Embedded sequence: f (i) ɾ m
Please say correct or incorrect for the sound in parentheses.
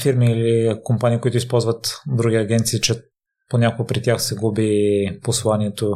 correct